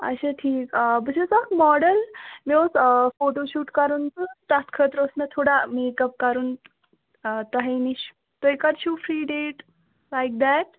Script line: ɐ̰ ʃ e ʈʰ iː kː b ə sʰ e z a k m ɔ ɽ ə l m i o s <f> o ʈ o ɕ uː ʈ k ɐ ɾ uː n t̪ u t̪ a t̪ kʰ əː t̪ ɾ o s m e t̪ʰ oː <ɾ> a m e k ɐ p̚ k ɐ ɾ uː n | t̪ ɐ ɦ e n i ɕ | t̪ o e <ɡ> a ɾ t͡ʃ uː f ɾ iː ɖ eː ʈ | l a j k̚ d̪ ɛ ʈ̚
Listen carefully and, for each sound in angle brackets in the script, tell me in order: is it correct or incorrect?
correct, incorrect, incorrect

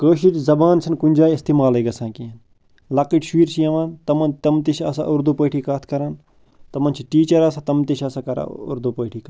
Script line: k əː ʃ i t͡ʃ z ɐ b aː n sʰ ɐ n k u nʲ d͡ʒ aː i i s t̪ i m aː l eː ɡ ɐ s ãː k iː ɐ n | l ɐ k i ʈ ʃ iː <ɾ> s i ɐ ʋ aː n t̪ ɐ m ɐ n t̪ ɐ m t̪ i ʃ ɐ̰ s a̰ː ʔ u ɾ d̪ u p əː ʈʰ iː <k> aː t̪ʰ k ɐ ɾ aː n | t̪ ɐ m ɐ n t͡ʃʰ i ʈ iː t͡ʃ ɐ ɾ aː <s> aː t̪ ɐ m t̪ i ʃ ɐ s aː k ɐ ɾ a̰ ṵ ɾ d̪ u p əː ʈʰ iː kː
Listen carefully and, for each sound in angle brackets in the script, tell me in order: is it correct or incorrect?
correct, correct, correct

